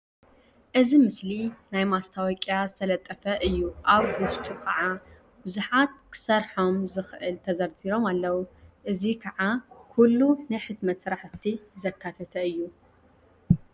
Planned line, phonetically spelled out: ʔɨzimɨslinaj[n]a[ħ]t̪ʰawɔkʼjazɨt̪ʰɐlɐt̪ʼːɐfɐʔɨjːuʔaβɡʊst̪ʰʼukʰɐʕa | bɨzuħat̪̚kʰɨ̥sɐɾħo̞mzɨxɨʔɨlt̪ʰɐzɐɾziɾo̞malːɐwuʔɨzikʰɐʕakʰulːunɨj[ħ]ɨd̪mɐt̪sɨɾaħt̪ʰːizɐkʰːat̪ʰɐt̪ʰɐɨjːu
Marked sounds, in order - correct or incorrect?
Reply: incorrect, incorrect, correct

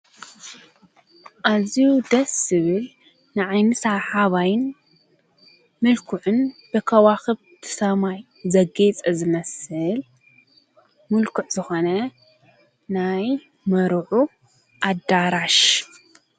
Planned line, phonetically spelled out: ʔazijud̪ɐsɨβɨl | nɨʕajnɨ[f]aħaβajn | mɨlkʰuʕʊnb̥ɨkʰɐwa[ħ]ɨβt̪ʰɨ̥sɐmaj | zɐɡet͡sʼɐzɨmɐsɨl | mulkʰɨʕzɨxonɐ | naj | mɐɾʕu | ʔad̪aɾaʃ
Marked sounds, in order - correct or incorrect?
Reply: incorrect, incorrect

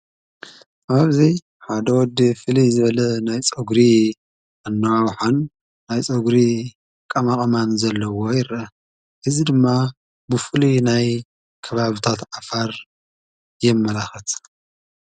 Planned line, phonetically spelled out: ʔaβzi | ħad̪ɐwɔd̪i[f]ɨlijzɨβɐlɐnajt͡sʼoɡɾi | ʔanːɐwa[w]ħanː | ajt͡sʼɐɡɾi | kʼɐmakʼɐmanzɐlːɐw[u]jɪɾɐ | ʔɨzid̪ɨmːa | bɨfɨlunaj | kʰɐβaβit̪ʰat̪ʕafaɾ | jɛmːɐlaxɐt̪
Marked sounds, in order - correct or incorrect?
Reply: correct, correct, incorrect

